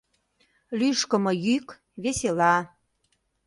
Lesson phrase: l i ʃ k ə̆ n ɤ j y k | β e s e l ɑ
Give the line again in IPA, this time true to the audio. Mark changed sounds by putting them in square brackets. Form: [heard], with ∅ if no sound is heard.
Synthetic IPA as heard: l [y] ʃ k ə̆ [m] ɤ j y k | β e s e l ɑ